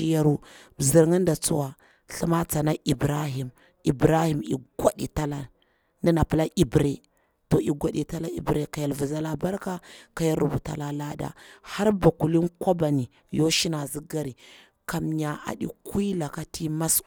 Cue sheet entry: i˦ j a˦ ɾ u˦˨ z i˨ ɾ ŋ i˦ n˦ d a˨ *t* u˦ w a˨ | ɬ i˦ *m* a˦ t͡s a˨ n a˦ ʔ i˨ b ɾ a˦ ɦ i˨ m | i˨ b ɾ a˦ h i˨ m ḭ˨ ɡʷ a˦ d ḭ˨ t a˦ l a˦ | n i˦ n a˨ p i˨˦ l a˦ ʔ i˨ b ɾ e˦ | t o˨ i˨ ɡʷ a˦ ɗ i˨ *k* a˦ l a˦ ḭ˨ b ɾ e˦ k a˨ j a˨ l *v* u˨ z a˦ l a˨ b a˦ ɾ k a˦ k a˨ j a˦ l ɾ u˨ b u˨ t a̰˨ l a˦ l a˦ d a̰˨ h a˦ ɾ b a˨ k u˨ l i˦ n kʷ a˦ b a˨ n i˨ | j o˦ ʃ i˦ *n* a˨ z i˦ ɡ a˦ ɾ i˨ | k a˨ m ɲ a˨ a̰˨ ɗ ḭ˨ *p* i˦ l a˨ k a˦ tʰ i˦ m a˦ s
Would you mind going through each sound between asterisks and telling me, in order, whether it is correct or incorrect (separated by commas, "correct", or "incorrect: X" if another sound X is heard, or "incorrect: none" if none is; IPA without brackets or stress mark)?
incorrect: t͡s, correct, incorrect: t, correct, correct, incorrect: k